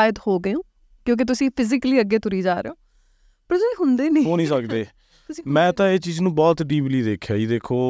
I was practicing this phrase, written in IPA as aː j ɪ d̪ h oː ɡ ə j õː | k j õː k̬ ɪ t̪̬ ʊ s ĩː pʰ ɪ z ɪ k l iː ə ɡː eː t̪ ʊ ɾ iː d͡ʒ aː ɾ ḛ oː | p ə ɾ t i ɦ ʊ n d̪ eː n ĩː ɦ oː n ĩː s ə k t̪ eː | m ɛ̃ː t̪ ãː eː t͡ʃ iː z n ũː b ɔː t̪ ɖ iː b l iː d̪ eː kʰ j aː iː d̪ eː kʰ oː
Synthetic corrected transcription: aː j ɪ d̪ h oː ɡ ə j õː | k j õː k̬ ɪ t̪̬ ʊ s ĩː pʰ ɪ z ɪ k l iː ə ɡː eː t̪ ʊ ɾ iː d͡ʒ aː ɾ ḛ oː | p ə ɾ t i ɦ ʊ n d̪ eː n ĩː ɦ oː n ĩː s ə k d̪ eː | m ɛ̃ː t̪ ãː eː t͡ʃ iː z n ũː b ɔː t̪ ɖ iː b l iː d̪ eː kʰ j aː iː d̪ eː kʰ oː